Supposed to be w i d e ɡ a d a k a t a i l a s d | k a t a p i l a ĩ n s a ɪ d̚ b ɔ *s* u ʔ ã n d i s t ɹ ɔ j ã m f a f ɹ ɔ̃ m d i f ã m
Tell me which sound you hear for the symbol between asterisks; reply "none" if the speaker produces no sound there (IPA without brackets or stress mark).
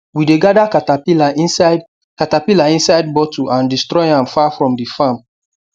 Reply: t